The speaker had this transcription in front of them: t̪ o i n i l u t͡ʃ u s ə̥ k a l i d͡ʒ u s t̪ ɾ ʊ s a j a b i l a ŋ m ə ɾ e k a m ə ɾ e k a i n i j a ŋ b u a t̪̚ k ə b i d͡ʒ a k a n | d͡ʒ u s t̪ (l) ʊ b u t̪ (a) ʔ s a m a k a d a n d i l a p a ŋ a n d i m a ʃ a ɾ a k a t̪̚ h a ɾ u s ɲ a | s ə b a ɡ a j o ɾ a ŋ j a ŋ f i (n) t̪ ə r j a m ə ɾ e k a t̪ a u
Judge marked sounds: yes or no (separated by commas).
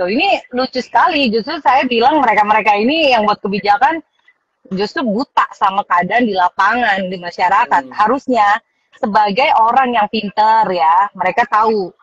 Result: no, yes, yes